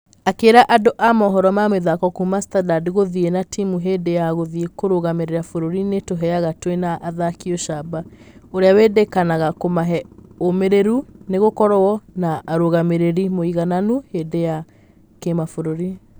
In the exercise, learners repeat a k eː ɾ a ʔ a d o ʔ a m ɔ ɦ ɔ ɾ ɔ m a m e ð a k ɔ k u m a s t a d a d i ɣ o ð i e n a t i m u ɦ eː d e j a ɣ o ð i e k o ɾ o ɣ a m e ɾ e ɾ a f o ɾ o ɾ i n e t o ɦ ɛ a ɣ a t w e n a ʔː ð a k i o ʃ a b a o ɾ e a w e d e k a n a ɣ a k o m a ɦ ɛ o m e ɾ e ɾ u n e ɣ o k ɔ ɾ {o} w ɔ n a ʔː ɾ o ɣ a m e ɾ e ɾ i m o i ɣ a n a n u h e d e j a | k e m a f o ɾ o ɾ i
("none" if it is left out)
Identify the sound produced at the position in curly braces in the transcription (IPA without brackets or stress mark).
ɔ